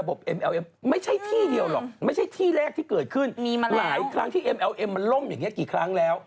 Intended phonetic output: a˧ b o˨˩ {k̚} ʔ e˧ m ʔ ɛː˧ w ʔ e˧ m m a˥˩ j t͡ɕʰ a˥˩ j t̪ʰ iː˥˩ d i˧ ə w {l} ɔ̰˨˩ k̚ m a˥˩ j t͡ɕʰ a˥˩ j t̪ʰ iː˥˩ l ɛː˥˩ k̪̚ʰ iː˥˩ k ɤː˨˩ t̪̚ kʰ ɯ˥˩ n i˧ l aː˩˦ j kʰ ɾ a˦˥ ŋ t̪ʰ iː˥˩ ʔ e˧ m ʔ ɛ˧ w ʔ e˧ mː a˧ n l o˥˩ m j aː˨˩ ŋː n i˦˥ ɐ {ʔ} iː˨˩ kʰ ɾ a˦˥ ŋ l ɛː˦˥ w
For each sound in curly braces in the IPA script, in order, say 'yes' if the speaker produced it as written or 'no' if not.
no, yes, no

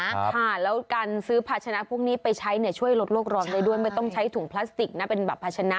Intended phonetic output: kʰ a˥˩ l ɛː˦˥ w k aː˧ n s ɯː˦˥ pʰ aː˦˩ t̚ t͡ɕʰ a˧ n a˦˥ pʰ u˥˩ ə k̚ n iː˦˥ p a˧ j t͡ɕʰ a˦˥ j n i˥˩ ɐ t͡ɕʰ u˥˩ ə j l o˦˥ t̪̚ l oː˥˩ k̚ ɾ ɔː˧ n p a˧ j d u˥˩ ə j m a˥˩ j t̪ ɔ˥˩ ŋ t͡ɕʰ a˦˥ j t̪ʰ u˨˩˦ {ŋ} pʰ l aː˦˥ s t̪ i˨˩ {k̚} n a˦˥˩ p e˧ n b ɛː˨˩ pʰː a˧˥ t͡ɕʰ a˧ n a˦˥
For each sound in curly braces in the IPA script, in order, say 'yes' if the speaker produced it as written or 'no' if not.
yes, yes

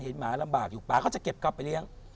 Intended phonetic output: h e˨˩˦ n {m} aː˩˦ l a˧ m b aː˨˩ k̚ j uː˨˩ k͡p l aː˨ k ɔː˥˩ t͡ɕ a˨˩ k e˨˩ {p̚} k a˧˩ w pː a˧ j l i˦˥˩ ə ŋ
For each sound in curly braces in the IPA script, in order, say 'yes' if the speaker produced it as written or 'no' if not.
yes, yes

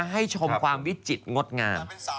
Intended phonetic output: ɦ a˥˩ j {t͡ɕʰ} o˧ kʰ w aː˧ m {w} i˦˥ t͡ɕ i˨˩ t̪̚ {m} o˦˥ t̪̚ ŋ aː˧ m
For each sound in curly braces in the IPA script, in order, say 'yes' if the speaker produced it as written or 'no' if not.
yes, yes, no

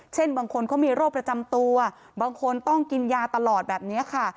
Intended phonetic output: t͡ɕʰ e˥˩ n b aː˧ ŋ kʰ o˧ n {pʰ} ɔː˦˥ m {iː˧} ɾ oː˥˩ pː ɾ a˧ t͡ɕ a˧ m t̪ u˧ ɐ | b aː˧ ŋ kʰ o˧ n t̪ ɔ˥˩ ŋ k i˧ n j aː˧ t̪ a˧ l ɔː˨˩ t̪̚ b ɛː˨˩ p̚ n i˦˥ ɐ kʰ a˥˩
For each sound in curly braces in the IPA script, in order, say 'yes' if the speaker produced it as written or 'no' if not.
no, yes

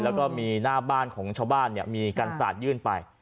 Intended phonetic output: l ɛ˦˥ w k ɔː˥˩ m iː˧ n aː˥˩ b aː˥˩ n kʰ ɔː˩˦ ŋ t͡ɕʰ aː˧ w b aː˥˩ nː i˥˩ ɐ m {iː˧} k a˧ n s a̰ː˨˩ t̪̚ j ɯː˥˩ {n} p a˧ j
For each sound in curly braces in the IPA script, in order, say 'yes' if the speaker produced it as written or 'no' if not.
yes, yes

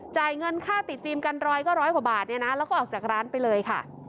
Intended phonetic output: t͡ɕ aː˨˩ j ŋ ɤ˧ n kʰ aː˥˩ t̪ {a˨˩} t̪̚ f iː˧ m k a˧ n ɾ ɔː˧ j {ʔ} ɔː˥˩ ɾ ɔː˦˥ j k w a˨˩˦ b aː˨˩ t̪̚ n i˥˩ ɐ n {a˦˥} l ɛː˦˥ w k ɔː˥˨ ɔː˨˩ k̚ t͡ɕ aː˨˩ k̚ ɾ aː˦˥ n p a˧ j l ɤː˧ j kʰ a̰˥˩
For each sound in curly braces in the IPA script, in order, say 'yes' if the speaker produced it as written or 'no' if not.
no, no, yes

